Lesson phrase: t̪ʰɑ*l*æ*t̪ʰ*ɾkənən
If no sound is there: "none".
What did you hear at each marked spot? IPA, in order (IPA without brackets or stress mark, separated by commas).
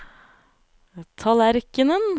l, none